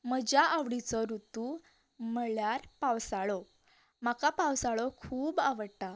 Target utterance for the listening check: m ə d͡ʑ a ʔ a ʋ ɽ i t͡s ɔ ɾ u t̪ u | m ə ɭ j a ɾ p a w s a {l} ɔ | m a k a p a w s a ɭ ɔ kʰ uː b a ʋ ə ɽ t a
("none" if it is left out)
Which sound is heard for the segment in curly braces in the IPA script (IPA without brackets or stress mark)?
ɭ